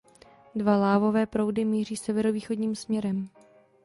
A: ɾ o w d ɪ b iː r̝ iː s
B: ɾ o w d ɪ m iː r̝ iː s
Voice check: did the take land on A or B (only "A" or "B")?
B